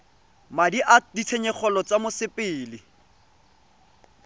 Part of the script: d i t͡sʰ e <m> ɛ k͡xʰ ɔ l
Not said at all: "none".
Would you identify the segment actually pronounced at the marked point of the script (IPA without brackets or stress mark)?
ɲ